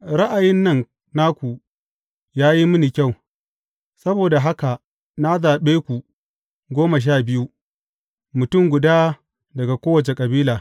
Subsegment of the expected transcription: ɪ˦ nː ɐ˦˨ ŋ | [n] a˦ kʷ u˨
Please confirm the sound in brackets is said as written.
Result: yes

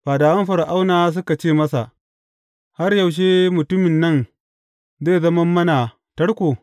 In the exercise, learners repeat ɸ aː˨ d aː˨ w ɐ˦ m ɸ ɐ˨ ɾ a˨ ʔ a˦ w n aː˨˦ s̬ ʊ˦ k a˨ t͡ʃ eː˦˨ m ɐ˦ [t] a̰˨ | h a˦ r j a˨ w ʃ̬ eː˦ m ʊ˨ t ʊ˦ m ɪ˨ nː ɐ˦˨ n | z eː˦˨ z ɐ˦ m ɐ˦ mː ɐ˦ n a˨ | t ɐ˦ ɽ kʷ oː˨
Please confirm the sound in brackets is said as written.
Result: no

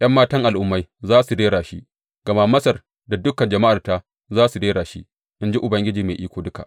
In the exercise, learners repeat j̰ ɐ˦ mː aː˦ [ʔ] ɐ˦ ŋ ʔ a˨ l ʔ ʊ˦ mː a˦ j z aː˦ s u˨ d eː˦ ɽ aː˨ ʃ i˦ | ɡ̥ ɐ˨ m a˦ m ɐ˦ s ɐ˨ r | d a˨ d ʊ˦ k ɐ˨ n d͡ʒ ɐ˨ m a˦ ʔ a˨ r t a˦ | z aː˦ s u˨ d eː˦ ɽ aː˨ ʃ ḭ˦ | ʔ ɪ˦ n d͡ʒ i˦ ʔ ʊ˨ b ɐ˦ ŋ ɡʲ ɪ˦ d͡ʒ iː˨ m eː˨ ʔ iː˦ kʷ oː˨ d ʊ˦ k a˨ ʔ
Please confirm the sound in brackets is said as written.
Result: no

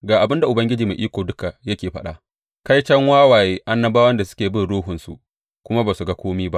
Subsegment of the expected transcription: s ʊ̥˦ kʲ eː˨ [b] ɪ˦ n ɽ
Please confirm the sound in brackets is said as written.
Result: yes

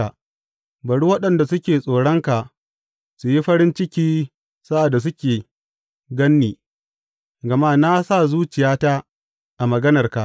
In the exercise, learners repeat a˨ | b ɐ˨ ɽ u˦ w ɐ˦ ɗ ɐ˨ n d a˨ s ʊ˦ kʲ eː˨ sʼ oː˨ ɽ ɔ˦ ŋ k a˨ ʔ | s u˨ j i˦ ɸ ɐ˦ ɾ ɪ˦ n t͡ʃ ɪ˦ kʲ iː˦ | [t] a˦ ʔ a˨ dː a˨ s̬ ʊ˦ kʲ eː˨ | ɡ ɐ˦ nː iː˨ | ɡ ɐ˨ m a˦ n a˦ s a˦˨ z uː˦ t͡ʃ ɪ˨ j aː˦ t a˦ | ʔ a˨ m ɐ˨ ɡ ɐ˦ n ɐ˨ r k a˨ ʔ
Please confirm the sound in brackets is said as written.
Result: no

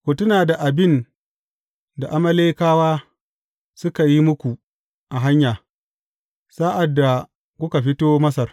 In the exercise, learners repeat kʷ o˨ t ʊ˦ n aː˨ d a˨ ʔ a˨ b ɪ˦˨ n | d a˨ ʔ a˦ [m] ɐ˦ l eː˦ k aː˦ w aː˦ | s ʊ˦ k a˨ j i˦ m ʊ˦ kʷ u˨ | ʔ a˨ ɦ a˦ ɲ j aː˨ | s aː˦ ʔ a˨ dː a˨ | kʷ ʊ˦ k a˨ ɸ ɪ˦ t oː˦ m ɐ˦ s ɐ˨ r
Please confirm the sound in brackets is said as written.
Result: yes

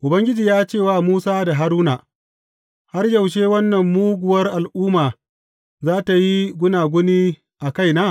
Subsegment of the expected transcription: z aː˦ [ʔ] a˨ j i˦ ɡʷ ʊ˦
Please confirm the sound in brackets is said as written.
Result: no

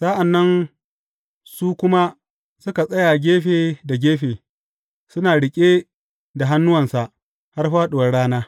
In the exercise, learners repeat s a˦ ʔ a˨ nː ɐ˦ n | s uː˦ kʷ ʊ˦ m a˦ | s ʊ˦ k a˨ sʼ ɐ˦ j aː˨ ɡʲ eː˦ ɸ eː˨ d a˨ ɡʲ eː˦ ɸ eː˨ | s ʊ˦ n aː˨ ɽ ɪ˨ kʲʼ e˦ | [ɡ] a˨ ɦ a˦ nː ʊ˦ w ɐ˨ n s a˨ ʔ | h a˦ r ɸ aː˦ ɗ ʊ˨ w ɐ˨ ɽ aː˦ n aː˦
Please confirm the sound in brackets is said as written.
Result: no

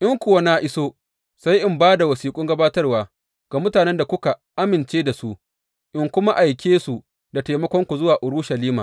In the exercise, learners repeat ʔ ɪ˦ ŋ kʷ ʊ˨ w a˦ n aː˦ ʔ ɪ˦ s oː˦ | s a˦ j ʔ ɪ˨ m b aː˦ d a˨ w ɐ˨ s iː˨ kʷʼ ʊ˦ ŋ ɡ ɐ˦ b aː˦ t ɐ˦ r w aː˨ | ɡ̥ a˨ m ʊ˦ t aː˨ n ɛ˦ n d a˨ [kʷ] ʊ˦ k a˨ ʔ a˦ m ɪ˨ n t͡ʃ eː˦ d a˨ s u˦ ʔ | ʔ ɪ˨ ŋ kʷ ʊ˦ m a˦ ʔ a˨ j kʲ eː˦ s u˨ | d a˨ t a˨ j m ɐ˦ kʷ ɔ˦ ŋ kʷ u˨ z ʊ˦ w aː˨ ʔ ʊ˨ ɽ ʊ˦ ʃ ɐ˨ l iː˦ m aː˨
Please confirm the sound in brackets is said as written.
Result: yes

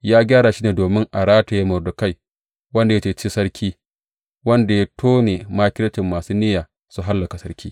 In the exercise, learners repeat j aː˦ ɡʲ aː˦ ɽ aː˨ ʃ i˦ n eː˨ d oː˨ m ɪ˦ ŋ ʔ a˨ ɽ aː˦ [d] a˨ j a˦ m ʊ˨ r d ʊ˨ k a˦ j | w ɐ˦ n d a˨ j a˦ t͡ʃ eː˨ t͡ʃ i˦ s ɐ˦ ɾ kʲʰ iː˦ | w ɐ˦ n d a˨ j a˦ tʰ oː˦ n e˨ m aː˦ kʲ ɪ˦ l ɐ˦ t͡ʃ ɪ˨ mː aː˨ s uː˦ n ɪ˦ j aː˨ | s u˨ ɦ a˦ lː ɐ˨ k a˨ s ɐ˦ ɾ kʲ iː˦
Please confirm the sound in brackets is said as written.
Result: no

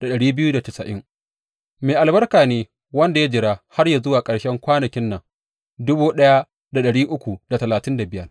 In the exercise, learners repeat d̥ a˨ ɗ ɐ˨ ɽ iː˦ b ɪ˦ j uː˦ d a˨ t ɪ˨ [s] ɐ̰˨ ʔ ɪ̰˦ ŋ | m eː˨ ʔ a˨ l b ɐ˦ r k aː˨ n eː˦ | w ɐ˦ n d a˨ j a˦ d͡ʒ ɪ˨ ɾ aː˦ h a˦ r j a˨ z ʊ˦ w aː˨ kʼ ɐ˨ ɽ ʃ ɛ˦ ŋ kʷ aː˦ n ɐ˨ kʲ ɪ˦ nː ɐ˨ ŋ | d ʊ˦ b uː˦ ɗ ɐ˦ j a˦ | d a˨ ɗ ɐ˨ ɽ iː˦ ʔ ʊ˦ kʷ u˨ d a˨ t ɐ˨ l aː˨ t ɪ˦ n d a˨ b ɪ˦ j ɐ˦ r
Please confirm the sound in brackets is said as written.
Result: yes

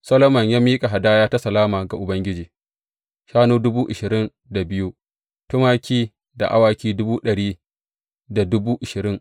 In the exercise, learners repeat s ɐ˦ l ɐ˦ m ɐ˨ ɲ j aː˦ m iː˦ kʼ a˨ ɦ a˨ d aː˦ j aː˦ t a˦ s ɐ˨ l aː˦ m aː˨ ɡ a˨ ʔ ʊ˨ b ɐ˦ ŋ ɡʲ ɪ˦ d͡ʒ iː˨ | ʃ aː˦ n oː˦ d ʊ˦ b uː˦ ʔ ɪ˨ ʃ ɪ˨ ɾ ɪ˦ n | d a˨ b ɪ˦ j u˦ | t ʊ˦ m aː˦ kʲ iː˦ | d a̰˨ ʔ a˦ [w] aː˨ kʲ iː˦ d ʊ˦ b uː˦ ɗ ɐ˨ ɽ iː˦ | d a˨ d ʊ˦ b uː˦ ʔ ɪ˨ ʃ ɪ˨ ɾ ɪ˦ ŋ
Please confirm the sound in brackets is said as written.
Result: yes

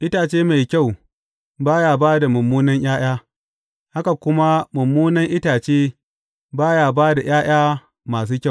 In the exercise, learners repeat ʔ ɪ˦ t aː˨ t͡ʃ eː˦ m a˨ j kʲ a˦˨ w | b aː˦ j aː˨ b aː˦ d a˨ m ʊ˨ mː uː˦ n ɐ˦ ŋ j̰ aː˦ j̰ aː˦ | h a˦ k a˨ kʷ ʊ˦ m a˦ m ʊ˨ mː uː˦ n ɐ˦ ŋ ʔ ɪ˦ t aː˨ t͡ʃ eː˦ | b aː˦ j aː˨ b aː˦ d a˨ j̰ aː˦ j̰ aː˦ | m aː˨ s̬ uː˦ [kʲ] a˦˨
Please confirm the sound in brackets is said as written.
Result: yes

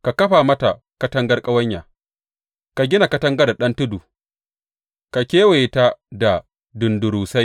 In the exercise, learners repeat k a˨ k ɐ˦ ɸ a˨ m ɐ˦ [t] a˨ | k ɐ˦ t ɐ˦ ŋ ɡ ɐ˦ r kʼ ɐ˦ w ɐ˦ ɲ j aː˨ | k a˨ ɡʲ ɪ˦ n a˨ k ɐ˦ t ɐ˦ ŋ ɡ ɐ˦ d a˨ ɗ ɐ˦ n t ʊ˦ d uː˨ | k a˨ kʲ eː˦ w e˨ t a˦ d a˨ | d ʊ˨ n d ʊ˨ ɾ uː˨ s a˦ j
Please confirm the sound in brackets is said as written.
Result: yes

